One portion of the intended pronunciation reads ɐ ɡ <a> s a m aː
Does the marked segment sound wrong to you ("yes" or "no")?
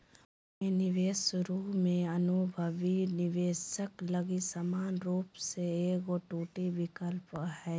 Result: yes